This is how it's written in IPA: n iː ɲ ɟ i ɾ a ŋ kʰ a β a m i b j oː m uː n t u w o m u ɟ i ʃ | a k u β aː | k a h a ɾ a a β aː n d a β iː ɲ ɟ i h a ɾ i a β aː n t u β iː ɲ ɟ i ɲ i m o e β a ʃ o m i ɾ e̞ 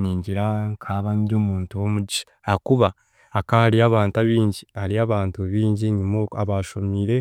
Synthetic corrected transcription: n iː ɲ ɟ i ɾ a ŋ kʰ a β a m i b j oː m uː n t u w o m u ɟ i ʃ | a k u β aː | k a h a ɾ i a β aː n t a β iː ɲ ɟ i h a ɾ i a β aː n t u β iː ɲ ɟ i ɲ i m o a β a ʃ o m i ɾ e̞